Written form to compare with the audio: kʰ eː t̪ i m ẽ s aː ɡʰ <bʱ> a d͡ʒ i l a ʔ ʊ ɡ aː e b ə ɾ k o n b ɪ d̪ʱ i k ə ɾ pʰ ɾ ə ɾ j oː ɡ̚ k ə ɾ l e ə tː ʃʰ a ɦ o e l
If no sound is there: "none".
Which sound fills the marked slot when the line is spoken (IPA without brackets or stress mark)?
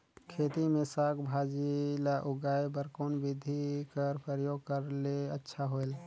bʱ